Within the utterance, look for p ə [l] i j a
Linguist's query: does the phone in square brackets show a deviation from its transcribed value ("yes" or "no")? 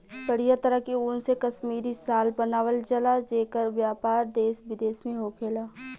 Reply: yes